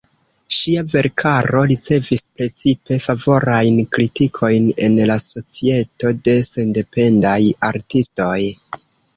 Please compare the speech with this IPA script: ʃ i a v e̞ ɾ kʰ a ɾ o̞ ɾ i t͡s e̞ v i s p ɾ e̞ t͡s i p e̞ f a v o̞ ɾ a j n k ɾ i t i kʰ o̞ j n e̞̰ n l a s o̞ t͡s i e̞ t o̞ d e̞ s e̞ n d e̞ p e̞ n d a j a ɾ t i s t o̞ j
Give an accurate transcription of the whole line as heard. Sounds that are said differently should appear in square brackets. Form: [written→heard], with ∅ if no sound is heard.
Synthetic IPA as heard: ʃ i a v e̞ ɾ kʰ a ɾ o̞ ɾ i t͡s e̞ v i s p ɾ e̞ t͡s i p e̞ f a v o̞ ɾ a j n k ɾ i t i kʰ o̞ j n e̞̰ n l a s o̞ t͡s i e̞ t o̞ d e̞ s e̞ n d e̞ p e̞ n d a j a ɾ t i s t o̞ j